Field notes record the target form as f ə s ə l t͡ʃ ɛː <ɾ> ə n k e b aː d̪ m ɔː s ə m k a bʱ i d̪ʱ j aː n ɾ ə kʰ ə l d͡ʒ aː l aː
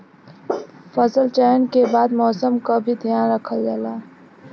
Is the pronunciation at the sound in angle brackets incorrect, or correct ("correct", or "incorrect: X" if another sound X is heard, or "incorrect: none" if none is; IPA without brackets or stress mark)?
incorrect: none